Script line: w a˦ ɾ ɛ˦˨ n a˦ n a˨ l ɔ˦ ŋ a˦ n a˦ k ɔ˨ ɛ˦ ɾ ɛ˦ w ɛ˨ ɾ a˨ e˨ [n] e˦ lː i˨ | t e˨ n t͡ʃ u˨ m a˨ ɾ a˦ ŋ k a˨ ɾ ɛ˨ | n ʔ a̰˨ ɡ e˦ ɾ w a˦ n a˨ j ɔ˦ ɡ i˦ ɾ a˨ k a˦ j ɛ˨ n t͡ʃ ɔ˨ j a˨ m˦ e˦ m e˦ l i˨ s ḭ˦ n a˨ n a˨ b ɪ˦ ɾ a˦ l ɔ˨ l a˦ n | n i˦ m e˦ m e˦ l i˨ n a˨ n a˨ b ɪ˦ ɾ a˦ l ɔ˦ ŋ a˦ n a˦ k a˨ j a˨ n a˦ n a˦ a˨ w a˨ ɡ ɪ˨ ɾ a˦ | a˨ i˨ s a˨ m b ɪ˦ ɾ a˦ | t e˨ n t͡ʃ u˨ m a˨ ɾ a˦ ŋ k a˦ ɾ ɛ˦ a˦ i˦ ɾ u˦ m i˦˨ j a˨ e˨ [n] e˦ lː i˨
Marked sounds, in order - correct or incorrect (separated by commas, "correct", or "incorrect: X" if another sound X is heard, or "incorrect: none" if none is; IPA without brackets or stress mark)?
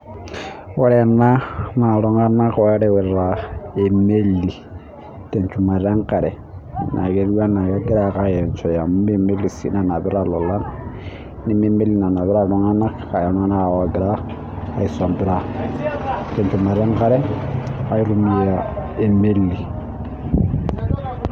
incorrect: m, incorrect: m